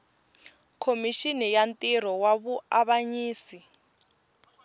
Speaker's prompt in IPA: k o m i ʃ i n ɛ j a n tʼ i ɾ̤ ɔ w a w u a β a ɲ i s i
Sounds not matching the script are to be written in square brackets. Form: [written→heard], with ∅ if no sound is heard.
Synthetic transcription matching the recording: [k→kʰ] o m i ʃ i n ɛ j a n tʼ i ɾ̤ ɔ w a [w→β] u a β a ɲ [i→iː] s i